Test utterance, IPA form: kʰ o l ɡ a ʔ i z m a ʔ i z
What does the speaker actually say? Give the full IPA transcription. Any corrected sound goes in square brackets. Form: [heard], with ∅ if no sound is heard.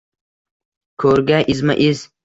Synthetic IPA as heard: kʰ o [ɾ] ɡ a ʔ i z m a ʔ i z